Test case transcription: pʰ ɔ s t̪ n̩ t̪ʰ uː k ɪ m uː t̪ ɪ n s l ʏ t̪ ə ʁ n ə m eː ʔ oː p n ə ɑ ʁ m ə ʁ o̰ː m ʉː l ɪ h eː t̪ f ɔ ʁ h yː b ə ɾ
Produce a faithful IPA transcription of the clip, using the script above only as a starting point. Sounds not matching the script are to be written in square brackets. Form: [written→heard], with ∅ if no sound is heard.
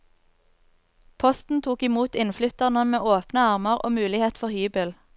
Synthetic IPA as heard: pʰ ɔ s t̪ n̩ t̪ʰ uː k ɪ m uː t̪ ɪ n [s→f] l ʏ t̪ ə ʁ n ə m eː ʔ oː p n ə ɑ ʁ m ə ʁ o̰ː m ʉː l ɪ h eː t̪ f ɔ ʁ h yː b ə [ɾ→l]